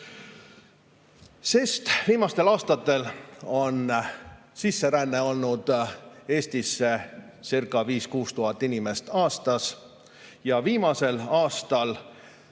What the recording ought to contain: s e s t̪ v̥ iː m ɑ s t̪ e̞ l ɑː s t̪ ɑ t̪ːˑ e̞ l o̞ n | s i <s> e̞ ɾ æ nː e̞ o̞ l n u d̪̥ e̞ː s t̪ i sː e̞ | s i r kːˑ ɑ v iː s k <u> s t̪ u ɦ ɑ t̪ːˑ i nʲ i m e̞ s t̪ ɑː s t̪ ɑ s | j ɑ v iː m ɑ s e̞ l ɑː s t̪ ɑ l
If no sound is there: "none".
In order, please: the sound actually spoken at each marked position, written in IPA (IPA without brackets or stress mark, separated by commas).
sː, uː